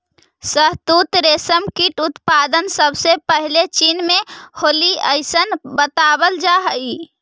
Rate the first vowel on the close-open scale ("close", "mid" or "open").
mid